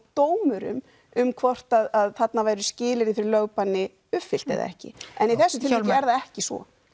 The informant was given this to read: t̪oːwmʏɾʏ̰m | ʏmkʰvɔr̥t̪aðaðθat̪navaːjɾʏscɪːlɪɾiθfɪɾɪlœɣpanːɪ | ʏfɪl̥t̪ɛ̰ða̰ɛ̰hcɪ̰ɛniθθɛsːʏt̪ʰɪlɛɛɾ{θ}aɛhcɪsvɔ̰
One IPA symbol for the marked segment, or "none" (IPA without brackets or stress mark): ð